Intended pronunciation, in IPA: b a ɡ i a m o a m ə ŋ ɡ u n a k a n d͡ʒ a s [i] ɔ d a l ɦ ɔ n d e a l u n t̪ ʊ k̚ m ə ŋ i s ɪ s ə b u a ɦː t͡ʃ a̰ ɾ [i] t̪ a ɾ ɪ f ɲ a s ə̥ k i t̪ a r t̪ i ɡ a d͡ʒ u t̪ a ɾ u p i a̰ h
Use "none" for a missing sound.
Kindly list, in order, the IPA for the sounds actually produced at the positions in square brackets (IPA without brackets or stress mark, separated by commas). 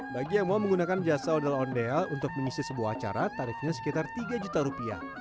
a, a